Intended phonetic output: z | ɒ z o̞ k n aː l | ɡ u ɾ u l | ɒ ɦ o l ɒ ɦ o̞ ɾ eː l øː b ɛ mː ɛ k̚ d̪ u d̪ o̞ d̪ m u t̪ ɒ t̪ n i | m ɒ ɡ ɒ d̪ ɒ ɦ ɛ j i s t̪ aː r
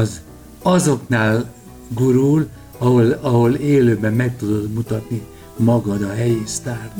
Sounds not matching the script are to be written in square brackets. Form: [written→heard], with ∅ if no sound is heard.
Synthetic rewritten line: z | ɒ z o̞ k n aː l | ɡ u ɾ u l | ɒ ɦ o l ɒ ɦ o̞ [ɾ→l] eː l øː b ɛ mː ɛ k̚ [d̪→t̪] u d̪ o̞ d̪ m u t̪ ɒ t̪ n i | m ɒ ɡ ɒ d̪ ɒ ɦ ɛ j i s t̪ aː r